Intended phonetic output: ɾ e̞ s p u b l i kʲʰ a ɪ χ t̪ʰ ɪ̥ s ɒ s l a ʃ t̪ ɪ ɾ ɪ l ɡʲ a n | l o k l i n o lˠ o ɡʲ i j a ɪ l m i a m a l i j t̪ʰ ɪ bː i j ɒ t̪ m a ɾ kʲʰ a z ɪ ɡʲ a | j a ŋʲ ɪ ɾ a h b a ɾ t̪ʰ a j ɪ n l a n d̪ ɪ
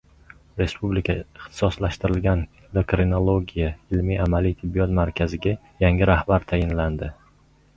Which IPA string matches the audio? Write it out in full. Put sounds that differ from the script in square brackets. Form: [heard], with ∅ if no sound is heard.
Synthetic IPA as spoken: ɾ e̞ s p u b l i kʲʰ a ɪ χ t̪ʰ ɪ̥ s ɒ s l a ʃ t̪ ɪ ɾ ɪ l ɡʲ a n | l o k [ɾ] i n o lˠ o ɡʲ i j a ɪ l m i a m a l i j t̪ʰ ɪ bː i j ɒ t̪ m a ɾ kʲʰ a z ɪ ɡʲ a | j a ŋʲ ɪ ɾ a h b a ɾ t̪ʰ a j ɪ n l a n d̪ ɪ